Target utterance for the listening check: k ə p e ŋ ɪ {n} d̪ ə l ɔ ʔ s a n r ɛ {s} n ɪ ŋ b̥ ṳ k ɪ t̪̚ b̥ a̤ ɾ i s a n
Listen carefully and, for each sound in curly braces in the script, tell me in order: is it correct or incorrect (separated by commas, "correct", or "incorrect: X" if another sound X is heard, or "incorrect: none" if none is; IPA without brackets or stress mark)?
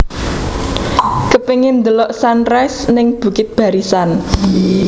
correct, correct